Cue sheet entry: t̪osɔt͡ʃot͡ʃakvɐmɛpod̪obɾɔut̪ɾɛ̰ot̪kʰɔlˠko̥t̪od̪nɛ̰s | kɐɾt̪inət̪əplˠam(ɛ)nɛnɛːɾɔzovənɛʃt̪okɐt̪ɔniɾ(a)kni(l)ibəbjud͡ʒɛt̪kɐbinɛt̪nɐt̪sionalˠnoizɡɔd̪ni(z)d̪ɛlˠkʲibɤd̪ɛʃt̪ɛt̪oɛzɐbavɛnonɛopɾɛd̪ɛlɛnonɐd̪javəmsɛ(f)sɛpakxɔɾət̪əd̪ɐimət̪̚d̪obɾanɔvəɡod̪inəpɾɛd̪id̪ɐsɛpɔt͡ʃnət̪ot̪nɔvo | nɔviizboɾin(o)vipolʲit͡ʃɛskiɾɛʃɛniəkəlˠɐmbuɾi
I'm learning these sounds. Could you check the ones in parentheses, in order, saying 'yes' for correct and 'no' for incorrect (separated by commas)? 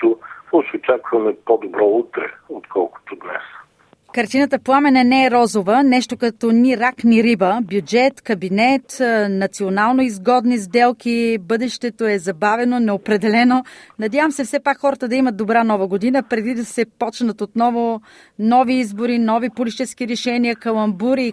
yes, yes, no, yes, yes, no